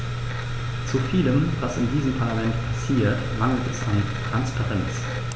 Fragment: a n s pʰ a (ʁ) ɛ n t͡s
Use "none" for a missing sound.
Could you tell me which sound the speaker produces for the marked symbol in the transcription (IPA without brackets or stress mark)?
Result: ʁ